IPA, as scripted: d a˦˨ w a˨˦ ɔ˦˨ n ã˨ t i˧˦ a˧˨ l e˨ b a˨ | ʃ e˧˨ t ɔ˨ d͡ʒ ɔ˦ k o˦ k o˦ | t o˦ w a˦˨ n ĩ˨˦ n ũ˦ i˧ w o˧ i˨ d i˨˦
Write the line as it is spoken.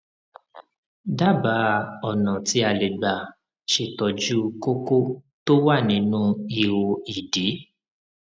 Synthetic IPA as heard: d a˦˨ b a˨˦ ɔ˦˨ n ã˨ t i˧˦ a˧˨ l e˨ ɡ͡b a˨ | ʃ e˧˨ t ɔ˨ d͡ʒ u˦ k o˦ k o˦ | t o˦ w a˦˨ n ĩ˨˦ n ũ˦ i˧ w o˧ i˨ d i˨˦